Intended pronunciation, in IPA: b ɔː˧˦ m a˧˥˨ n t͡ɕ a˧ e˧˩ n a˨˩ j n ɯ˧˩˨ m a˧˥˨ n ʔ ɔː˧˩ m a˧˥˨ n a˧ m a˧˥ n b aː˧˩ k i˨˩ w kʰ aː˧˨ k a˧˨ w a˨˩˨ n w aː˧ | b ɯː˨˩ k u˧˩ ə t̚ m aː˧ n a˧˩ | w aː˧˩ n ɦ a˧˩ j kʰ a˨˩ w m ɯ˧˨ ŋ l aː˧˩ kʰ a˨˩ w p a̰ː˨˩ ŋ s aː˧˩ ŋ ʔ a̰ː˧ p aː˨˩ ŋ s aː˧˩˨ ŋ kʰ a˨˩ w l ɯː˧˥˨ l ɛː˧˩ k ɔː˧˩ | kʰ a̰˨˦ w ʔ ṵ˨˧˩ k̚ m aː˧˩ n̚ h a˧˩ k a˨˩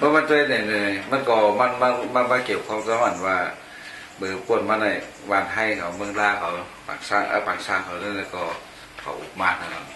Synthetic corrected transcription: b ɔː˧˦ m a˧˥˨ n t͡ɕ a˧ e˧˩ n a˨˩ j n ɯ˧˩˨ m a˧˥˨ n k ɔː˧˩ m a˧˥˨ n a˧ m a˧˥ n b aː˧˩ k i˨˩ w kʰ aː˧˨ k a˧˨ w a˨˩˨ n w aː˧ | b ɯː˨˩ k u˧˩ ə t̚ m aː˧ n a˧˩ | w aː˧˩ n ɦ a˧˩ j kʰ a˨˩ w m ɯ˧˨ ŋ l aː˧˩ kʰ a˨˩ w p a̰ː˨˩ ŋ s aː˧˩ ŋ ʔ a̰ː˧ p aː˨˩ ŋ s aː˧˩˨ ŋ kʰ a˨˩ w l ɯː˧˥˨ l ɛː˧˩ k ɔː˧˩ | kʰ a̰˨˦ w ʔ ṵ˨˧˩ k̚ m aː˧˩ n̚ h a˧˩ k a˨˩

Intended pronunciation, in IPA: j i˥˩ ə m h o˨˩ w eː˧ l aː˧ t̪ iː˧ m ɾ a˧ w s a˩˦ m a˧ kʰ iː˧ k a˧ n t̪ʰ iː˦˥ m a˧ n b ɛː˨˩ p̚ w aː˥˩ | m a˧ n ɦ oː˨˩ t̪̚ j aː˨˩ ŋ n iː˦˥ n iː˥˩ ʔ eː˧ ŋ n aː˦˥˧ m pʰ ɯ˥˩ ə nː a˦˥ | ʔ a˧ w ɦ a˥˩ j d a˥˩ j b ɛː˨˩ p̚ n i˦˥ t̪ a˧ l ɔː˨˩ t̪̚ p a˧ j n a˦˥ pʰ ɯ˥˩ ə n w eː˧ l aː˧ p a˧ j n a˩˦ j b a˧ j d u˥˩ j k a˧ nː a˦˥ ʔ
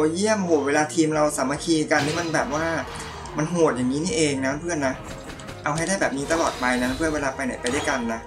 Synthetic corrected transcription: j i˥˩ ə m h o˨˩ w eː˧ l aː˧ t̪ʰ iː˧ m ɾ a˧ w s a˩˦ m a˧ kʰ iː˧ k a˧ n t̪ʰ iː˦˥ m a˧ n b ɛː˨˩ p̚ w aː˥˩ | m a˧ n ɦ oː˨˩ t̪̚ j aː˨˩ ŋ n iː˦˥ n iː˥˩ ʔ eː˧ ŋ n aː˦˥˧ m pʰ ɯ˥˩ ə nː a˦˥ | ʔ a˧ w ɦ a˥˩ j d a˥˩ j b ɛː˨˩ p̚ n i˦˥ t̪ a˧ l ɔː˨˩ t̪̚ p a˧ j n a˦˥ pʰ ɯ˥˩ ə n w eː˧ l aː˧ p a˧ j n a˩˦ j p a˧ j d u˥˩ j k a˧ nː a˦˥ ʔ

